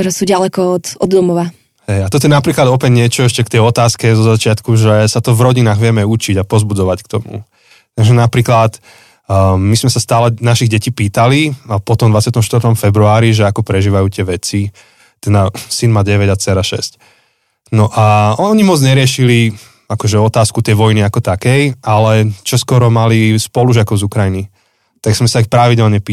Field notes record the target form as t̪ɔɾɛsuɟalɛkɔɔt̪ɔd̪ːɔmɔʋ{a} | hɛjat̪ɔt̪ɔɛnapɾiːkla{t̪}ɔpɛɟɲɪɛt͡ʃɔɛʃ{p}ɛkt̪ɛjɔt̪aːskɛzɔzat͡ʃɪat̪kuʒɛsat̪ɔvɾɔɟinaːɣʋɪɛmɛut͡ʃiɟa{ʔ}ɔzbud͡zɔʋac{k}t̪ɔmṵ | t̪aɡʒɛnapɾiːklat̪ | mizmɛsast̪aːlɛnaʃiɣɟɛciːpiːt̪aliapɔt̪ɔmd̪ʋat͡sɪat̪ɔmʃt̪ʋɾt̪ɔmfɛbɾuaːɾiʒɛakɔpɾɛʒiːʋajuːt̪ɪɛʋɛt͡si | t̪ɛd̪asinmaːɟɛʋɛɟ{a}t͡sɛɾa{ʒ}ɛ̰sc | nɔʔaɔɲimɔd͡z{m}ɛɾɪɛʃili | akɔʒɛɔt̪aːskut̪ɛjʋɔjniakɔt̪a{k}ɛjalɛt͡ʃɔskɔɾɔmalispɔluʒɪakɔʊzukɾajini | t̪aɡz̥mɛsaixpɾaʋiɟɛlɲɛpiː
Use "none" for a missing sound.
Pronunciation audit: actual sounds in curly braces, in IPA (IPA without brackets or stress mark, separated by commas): a, d̪, c, p, k, a, ʃ, ɲ, k